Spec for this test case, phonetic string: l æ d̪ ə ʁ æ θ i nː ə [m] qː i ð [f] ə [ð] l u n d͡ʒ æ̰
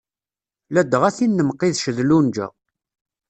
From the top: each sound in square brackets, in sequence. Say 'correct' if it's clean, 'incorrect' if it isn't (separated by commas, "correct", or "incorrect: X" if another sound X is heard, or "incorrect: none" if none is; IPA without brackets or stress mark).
correct, incorrect: ʃ, correct